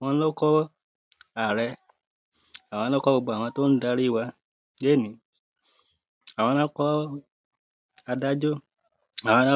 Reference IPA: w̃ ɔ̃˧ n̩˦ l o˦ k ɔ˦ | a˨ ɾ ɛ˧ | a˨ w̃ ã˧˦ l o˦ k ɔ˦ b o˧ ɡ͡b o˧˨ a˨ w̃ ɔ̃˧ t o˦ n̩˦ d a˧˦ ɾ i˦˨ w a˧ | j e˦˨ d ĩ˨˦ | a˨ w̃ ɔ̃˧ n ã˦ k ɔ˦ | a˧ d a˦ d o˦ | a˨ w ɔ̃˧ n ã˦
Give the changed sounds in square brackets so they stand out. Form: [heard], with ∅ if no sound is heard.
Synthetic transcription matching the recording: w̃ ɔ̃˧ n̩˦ l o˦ k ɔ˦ | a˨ ɾ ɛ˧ | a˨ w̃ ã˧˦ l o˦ k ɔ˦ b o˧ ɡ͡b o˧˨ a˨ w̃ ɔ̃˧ t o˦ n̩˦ d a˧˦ ɾ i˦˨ w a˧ | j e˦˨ [n] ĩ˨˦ | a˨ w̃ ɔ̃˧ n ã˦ k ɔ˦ | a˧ d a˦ [d͡ʒ] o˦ | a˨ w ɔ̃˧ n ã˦